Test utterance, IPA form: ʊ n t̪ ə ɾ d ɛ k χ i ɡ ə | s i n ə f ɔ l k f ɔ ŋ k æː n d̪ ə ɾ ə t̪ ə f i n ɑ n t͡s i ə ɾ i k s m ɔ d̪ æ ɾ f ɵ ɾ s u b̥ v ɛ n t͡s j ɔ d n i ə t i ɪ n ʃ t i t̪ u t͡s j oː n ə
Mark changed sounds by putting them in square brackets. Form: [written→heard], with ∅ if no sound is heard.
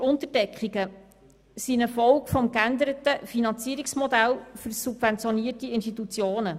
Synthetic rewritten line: ʊ n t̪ ə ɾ d ɛ k χ i ɡ ə | s i n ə f ɔ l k f ɔ [ŋ→m] k [æː→æ] n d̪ ə ɾ ə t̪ ə f i n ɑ n t͡s i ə ɾ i k s m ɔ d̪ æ [ɾ→l] f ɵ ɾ s u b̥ v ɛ n t͡s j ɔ [d→∅] n i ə t i ɪ n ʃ t i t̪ u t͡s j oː n ə